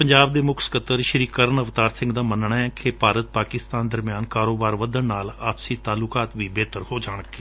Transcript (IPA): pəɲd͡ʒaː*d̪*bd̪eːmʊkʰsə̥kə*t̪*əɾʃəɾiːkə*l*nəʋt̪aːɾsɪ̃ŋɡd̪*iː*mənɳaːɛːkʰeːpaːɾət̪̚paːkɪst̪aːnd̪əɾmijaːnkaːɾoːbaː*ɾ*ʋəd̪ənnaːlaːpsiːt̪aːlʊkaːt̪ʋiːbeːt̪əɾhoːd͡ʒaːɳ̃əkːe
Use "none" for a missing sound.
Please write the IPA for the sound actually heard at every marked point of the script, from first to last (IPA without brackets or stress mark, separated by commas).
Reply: none, t̪, ɾ, aː, ɾ